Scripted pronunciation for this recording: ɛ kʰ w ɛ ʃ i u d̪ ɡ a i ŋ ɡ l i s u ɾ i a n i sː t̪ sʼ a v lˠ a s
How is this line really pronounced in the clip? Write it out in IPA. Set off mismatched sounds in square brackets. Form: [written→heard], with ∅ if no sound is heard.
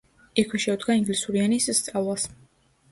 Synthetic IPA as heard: ɛ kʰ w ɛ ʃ [i→ɛ] u d̪ ɡ a i ŋ ɡ l i s u ɾ i a n i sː t̪ sʼ a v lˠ a s